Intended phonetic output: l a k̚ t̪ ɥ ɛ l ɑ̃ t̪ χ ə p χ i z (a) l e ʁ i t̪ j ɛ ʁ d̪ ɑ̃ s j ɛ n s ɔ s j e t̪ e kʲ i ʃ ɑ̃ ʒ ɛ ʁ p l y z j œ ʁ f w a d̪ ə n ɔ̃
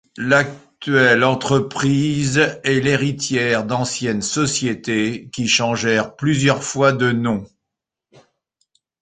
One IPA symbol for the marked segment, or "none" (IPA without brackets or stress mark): ɛ